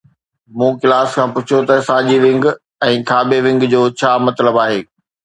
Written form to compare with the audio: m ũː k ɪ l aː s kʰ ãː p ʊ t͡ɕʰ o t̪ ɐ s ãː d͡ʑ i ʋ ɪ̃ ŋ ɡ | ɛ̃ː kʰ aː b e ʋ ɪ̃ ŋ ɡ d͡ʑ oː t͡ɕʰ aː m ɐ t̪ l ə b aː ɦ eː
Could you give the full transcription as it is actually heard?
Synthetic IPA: m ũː k ɪ l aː s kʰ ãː p ʊ t͡ɕʰ o t̪ ɐ s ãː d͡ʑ i ʋ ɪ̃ ŋ ɡ | ɛ̃ː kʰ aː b e ʋ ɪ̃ ŋ ɡ d͡ʑ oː t͡ɕʰ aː m ɐ t̪ l ə b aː ɦ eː